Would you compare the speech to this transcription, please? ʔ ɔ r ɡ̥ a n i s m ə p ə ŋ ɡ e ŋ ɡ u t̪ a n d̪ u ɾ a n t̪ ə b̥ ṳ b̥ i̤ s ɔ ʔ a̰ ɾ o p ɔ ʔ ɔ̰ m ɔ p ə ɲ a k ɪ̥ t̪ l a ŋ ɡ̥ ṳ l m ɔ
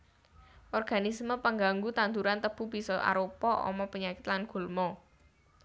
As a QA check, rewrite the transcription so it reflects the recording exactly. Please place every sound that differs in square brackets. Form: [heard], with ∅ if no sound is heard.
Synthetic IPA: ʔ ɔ r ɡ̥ a n i s m ə p ə ŋ ɡ [a] ŋ ɡ u t̪ a n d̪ u ɾ a n t̪ ə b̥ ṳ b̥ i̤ s ɔ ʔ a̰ ɾ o p ɔ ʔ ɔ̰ m ɔ p ə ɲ a k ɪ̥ t̪ l a [n] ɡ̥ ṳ l m ɔ